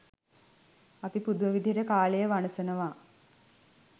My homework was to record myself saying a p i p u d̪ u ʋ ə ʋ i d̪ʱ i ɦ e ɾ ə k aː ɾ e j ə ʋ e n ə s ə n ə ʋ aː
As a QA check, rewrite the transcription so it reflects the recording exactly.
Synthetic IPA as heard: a p i p u d̪ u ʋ ə ʋ i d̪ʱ i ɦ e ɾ ə k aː l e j ə ʋ a n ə s ə n ə ʋ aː